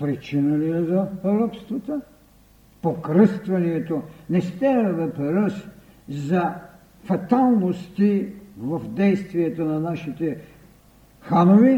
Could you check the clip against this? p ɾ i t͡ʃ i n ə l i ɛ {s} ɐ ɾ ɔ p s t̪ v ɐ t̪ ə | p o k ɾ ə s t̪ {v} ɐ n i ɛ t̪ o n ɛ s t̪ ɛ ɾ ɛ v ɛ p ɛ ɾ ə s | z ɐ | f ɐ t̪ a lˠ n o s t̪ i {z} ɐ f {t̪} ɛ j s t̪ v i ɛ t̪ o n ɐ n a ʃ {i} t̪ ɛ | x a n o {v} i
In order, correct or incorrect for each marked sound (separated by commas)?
incorrect, correct, incorrect, incorrect, correct, correct